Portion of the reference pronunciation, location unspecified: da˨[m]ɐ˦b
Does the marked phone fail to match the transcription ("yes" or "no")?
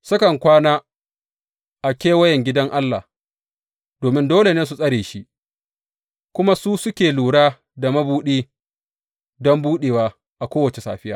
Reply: no